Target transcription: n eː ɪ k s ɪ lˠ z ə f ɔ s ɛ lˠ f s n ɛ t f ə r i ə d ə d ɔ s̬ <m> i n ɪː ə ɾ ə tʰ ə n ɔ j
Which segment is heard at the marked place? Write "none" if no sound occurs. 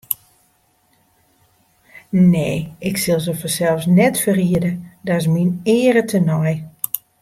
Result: m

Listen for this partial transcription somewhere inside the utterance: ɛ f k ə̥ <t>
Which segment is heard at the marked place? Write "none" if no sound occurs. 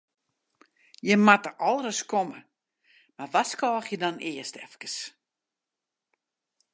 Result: s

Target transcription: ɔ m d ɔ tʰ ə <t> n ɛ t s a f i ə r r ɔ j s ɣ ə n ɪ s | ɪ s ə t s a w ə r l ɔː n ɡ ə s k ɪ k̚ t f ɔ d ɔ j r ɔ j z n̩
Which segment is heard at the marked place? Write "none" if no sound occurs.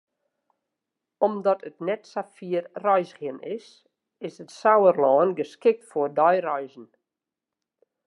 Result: t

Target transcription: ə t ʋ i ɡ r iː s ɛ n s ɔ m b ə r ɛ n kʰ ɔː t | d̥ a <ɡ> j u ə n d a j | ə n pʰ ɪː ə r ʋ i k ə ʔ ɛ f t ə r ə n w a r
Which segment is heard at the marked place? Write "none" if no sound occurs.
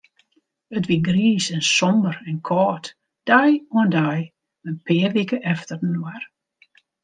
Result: none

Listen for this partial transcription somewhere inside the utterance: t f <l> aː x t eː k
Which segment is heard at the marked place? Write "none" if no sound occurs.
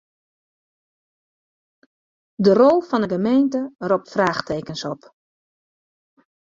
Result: r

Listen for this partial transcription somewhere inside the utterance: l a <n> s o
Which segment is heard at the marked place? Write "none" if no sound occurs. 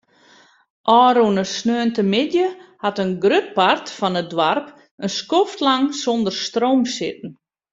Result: ŋ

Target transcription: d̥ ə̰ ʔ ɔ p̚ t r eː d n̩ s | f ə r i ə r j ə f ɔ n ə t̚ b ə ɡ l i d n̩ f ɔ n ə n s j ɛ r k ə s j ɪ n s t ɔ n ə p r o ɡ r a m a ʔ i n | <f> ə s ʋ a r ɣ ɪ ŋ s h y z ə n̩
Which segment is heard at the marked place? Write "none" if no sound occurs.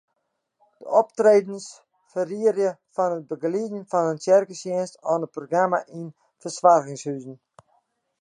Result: f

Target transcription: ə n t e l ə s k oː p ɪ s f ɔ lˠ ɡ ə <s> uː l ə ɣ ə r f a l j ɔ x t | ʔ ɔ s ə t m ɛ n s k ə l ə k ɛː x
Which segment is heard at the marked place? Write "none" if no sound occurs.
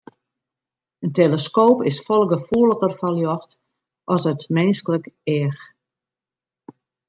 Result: f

